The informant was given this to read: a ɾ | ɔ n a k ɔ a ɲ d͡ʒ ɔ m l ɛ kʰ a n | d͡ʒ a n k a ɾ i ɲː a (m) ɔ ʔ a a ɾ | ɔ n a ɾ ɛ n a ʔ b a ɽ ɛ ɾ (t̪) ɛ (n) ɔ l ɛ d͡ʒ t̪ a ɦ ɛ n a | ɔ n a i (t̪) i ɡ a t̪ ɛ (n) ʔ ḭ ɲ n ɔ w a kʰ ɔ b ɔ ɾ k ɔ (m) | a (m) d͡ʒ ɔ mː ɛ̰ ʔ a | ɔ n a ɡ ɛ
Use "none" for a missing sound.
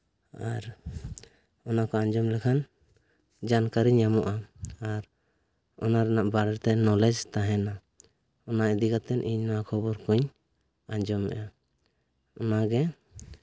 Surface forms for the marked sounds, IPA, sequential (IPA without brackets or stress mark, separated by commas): m, t̪, n, d̪, n, ɲ, ɲ